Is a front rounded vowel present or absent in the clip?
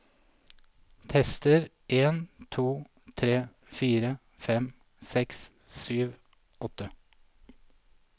present